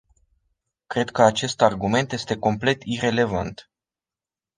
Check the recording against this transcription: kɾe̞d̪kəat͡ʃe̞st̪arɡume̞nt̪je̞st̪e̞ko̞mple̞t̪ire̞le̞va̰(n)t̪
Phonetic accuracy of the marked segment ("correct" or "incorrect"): correct